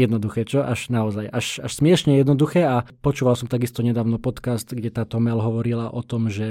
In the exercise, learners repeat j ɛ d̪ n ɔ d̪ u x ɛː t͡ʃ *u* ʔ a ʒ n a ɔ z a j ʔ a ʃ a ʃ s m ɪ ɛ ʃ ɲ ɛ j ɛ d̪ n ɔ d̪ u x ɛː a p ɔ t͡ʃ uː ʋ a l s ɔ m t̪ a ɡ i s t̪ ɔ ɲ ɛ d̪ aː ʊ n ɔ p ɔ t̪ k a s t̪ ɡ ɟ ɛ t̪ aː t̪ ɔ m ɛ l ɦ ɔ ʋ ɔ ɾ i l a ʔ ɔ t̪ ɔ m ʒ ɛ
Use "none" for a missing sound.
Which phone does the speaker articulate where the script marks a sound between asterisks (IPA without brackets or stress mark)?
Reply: ɔ